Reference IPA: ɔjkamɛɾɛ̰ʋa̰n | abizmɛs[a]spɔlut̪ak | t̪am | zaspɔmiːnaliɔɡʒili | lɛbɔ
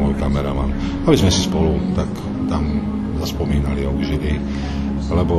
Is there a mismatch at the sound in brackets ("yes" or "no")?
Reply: yes